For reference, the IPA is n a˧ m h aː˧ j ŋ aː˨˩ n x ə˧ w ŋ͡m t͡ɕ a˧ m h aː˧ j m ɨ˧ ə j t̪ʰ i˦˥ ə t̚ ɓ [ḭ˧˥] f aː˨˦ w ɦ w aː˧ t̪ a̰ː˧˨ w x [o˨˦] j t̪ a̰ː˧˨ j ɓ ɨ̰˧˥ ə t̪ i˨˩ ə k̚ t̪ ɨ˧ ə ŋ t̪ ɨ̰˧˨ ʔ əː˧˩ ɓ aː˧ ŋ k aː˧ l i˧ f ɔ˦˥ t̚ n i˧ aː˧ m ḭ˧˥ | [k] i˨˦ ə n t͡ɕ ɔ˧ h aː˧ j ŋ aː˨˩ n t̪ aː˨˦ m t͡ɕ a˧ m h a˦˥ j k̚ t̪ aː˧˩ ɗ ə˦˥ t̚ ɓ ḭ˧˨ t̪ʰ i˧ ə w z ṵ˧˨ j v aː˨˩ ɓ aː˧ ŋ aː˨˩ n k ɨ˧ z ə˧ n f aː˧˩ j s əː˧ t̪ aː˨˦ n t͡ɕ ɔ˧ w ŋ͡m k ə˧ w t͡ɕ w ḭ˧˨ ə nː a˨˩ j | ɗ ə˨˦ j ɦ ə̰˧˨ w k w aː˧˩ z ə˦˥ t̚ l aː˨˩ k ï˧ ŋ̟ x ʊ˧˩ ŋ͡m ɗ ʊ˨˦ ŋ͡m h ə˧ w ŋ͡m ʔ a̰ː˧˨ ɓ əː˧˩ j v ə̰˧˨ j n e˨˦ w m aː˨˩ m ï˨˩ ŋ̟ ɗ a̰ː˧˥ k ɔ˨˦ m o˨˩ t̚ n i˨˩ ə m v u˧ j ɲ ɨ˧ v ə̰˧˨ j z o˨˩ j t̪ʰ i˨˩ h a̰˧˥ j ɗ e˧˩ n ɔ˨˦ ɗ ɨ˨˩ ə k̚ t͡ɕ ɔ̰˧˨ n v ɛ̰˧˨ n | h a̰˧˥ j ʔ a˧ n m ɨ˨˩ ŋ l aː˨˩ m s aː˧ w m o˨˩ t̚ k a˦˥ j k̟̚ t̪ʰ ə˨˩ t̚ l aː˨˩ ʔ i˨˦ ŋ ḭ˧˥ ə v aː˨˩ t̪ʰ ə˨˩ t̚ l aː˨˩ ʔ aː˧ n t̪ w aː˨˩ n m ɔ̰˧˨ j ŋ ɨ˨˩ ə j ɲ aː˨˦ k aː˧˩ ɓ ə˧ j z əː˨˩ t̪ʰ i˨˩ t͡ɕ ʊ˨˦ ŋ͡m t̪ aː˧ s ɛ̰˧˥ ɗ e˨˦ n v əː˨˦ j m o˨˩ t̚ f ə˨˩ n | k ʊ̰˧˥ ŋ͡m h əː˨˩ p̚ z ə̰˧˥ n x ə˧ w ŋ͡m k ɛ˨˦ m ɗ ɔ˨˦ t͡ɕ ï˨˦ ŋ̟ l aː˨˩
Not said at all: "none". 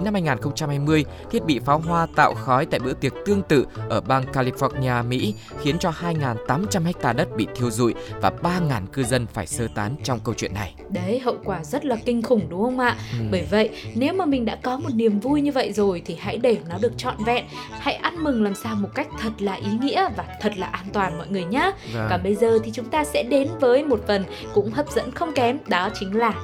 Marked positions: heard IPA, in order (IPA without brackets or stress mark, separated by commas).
ḭ˧˨, ɔ˨˦, x